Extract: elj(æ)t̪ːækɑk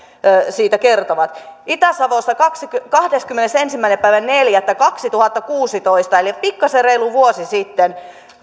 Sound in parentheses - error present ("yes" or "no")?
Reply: no